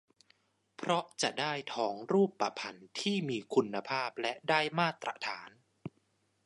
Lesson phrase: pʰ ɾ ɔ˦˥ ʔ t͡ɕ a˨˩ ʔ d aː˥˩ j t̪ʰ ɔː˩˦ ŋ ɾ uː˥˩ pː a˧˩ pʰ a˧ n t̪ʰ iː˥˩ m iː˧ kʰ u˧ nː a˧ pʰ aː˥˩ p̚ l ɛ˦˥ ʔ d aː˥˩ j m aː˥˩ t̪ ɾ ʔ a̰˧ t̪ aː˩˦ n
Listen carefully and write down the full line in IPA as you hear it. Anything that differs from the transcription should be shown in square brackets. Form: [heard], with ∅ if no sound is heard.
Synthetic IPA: pʰ ɾ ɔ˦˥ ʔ t͡ɕ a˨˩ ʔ d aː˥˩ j t̪ʰ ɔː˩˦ ŋ ɾ uː˥˩ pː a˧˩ pʰ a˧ n t̪ʰ iː˥˩ m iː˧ kʰ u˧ nː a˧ pʰ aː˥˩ p̚ l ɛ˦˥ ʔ d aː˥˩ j m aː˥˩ t̪ ɾ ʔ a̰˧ [t̪ʰ] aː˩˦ n